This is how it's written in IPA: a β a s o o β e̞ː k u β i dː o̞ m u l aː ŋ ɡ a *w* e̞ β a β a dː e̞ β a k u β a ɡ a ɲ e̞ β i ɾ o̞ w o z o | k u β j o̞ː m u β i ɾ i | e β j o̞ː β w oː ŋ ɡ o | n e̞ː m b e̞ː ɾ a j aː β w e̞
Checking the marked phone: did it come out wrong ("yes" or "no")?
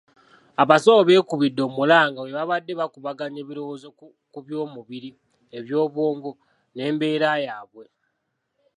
no